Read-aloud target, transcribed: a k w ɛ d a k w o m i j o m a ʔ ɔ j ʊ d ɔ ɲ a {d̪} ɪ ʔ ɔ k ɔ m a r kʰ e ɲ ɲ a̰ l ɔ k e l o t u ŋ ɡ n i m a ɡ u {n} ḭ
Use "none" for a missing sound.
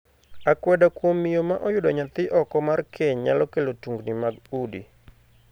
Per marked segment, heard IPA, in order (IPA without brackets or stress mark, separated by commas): t̪, d